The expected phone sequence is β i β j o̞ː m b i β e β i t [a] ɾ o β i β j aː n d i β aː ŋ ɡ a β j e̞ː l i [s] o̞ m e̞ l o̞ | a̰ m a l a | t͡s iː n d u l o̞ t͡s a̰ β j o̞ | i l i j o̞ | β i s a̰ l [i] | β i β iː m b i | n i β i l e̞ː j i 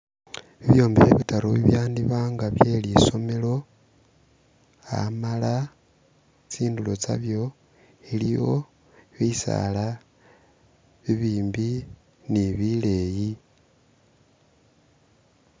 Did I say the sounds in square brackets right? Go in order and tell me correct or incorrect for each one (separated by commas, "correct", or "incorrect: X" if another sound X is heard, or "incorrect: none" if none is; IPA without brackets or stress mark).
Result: correct, correct, incorrect: a